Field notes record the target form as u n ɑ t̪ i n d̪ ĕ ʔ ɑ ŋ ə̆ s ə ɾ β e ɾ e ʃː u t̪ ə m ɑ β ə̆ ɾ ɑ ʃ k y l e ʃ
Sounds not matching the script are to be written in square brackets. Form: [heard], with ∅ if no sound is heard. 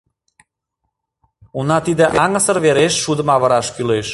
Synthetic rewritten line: u n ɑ t̪ i [∅] d̪ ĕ ʔ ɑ ŋ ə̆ s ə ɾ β e ɾ e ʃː u [d̪] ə m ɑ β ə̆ ɾ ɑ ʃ k y l e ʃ